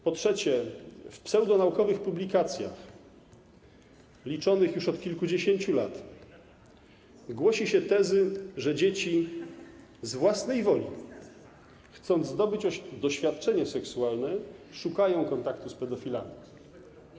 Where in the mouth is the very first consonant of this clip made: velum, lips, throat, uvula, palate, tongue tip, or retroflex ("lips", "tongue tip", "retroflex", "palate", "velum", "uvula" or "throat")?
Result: lips